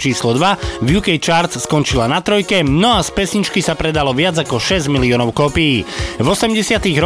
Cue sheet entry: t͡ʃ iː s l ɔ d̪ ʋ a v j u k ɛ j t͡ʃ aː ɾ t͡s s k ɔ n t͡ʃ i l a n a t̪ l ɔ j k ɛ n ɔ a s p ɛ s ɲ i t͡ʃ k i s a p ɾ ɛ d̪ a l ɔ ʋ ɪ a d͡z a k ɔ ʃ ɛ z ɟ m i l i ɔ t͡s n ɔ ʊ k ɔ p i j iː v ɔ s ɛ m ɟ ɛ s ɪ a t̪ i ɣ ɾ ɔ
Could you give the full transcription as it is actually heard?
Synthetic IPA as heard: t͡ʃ iː s l ɔ d̪ ʋ a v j u k ɛ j t͡ʃ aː ɾ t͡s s k ɔ n t͡ʃ i l a n a t̪ ɾ ɔ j k ɛ n ɔ a s p ɛ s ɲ i t͡ʃ k i s a p ɾ ɛ d̪ a l ɔ ʋ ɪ a d͡z a k ɔ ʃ ɛ z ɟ m i l i ɔ n ɔ ʊ k ɔ p i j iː v ɔ s ɛ m ɟ ɛ s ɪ a t̪ i ɣ ɾ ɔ